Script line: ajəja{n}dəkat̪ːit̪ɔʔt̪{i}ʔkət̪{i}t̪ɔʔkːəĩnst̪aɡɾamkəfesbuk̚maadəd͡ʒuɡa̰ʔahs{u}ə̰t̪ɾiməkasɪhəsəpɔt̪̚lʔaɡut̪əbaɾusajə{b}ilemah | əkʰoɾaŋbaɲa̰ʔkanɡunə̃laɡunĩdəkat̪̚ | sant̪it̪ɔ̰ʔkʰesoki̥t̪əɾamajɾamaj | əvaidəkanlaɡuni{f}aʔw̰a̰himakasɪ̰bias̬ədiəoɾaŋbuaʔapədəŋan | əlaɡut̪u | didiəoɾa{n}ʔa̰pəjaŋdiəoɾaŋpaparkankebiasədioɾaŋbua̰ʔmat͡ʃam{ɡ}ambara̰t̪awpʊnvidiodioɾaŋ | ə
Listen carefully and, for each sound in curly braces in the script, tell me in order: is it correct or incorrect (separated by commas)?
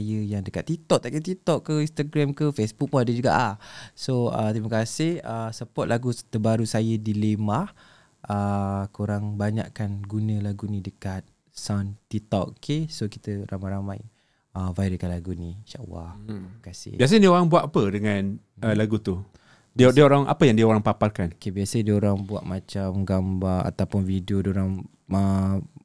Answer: incorrect, incorrect, correct, incorrect, incorrect, incorrect, incorrect, correct